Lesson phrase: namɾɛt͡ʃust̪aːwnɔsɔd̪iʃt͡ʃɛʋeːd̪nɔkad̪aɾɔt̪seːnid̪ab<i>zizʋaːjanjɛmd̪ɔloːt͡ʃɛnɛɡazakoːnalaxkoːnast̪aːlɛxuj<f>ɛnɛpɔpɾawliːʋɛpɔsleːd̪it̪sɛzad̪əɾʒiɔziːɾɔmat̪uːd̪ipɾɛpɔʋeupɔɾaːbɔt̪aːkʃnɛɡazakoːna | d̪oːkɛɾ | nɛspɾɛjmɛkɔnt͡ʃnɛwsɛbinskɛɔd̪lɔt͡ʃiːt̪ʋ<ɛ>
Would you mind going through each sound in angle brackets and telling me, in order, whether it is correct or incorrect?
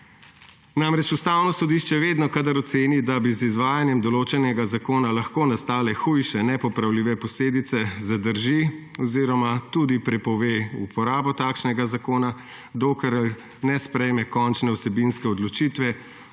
correct, incorrect: ʃ, correct

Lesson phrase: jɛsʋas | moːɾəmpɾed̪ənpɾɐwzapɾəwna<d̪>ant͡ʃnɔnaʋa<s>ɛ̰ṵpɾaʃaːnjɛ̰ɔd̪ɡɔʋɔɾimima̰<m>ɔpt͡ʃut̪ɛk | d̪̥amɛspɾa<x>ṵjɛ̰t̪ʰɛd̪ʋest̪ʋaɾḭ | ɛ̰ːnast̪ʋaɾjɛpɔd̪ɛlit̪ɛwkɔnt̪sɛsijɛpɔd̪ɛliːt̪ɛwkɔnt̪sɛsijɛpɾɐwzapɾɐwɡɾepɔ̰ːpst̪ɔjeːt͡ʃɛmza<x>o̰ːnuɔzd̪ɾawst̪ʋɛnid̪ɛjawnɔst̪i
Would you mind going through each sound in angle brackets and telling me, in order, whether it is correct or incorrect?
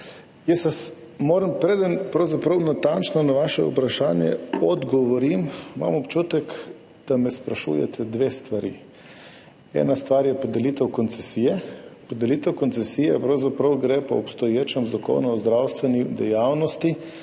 incorrect: t̪, incorrect: ʃ, correct, incorrect: ʃ, incorrect: k

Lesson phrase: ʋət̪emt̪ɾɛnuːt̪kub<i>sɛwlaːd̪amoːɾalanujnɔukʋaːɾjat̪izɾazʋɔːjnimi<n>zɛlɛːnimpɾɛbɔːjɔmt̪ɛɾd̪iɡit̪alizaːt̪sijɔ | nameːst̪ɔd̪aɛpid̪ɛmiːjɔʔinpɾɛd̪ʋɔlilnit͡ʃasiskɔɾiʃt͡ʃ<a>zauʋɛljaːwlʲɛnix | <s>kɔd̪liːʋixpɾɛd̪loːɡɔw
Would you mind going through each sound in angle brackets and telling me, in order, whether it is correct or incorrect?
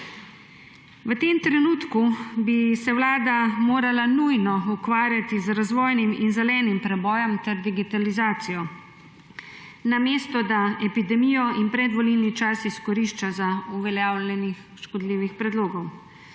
correct, correct, correct, incorrect: ʃ

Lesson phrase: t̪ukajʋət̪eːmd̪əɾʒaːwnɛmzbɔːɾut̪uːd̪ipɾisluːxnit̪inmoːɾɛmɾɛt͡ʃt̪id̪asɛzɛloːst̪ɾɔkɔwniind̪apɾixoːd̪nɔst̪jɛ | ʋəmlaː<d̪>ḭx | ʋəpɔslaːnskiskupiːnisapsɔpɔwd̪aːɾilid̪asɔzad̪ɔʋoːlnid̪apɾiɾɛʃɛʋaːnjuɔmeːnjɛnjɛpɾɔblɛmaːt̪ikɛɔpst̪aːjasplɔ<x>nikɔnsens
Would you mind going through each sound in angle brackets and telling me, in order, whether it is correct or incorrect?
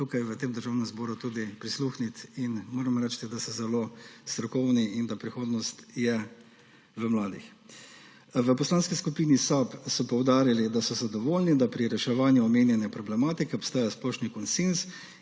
correct, incorrect: ʃ

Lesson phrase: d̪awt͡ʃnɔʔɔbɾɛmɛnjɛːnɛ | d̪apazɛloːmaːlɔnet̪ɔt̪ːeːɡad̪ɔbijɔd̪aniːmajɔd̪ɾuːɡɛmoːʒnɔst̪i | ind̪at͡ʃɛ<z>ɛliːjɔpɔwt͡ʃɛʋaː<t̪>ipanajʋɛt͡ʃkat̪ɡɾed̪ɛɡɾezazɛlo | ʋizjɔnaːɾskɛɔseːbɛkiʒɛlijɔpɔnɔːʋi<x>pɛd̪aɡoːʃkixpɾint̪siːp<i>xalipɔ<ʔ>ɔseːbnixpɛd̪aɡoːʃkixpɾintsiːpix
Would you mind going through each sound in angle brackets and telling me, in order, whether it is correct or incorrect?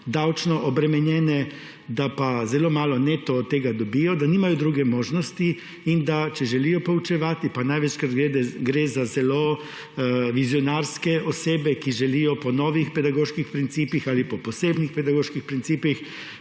incorrect: ʒ, correct, correct, correct, incorrect: p

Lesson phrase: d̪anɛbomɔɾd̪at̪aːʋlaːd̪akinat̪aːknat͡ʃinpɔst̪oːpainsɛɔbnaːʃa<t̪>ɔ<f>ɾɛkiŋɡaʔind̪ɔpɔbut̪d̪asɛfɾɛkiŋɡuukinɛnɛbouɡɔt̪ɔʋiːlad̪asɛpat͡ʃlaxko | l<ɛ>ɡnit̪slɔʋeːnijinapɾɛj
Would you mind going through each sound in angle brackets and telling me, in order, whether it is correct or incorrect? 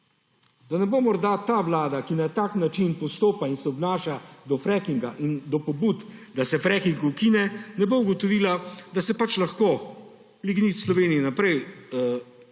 incorrect: d̪, correct, incorrect: i

